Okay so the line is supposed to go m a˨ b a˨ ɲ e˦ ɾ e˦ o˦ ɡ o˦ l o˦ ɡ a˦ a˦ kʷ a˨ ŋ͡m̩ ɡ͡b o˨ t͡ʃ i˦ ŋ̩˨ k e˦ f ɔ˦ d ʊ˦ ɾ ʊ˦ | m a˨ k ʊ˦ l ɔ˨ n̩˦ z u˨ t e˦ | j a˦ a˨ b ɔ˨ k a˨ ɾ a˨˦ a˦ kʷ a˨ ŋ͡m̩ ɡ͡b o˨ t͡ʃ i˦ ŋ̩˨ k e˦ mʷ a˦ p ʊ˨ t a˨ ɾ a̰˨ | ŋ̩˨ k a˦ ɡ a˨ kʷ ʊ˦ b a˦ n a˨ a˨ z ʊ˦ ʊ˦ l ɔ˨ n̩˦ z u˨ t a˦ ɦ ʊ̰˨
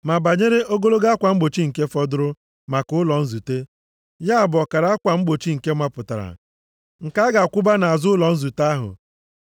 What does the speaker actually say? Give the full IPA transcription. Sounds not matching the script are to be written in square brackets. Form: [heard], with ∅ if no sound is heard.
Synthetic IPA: m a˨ b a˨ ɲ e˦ ɾ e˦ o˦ ɡ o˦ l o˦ ɡ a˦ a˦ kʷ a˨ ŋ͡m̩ ɡ͡b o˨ t͡ʃ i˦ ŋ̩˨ k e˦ f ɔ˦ d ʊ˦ ɾ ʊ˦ | m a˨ k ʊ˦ l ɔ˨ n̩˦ z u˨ t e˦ | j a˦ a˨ b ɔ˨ k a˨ ɾ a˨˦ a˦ kʷ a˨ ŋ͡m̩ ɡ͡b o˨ t͡ʃ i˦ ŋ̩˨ k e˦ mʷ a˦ p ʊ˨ t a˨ ɾ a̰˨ | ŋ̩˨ k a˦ ɡ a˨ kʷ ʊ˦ b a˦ n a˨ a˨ z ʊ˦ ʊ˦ l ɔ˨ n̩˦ z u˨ t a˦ ɦ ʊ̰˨

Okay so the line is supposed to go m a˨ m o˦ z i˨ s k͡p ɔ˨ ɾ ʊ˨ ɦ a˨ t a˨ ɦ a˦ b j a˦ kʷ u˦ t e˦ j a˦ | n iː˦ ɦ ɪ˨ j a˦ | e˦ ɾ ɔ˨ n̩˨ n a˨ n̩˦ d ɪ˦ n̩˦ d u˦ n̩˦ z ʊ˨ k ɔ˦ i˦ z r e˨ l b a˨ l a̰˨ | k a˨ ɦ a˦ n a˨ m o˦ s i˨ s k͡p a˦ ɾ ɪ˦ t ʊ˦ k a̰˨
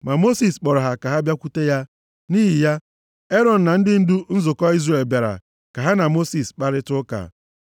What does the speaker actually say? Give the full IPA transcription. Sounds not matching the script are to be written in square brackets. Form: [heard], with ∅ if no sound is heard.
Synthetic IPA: m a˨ m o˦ [s] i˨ s k͡p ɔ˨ ɾ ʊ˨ ɦ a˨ [k] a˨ ɦ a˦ b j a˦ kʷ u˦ t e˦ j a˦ | n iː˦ ɦ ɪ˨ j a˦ | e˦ ɾ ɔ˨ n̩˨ n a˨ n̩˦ d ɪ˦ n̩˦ d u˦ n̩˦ z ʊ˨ k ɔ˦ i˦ z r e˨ l b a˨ [ɾ] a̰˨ | k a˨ ɦ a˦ n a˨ m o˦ s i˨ s k͡p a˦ ɾ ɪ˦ t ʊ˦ k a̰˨

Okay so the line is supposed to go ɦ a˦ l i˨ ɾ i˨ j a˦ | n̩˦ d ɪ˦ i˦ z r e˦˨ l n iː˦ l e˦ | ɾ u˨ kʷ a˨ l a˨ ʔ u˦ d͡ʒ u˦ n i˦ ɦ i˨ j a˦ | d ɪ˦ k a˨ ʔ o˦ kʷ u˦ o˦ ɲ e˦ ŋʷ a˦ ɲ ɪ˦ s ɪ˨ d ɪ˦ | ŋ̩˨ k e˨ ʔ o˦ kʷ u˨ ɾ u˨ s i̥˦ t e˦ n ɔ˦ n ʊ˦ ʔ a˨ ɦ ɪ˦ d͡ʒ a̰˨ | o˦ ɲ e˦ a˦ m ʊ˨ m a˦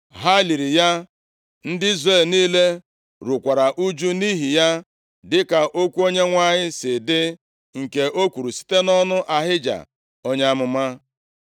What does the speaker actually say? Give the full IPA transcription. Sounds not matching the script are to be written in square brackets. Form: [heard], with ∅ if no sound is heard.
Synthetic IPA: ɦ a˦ l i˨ ɾ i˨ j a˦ | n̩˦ d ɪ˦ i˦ z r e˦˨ l n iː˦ l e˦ | ɾ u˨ kʷ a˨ [ɾ] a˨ ʔ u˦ d͡ʒ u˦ n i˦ ɦ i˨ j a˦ | d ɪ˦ k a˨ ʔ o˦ kʷ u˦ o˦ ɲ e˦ ŋʷ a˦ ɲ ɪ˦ s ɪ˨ d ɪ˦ | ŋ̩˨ k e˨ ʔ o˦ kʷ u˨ ɾ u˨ s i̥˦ t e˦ n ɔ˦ n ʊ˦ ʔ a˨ ɦ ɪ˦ d͡ʒ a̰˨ | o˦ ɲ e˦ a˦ m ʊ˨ m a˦

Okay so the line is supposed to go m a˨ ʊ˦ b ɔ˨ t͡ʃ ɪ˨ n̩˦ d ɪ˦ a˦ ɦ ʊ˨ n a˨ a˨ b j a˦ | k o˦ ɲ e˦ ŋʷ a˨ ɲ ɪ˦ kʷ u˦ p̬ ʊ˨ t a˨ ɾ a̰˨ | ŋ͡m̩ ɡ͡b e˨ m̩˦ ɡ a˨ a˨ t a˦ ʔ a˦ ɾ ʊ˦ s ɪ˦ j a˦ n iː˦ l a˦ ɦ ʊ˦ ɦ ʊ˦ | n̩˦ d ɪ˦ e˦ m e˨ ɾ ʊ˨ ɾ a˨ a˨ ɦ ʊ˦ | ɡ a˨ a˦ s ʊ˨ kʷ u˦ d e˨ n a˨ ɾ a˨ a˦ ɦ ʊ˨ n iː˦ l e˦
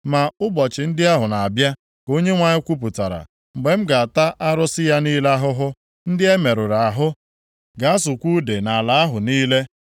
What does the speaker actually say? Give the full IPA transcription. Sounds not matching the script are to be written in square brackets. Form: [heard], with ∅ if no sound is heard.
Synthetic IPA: m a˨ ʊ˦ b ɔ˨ t͡ʃ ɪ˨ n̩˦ d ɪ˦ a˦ ɦ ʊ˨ n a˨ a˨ b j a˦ | k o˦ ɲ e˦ ŋʷ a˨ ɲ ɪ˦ kʷ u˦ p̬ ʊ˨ t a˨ ɾ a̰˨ | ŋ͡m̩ ɡ͡b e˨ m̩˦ ɡ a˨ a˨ t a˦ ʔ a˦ ɾ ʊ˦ s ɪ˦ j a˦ n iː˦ l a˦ ɦ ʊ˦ ɦ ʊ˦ | n̩˦ d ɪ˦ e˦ m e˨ ɾ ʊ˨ ɾ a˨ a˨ ɦ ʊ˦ | ɡ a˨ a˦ s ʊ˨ kʷ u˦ d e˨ n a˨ [l] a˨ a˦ ɦ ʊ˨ n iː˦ l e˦

